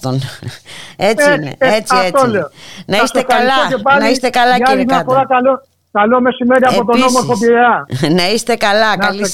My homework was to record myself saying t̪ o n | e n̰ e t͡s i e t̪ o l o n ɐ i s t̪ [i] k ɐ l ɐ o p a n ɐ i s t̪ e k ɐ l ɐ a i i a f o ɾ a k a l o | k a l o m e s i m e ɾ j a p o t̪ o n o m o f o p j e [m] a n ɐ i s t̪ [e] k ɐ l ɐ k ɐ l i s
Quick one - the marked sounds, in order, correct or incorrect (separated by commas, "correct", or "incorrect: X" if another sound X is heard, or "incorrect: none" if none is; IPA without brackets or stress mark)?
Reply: incorrect: e, incorrect: none, correct